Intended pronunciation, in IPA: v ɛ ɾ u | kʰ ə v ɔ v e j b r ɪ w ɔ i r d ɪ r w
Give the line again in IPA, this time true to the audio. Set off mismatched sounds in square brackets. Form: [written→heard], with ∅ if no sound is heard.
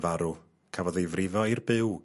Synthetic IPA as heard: v [ɛ→a] ɾ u | kʰ [ə→a] v ɔ [v→ð] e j [b→v] r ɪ [w→v] ɔ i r [d→b] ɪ [r→∅] w